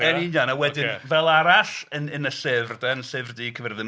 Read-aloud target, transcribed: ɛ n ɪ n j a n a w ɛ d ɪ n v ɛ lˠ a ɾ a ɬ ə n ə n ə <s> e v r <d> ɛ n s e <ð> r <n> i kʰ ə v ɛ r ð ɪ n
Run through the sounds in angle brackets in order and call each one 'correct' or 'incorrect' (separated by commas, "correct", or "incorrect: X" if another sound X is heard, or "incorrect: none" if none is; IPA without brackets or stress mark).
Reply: correct, correct, incorrect: v, incorrect: d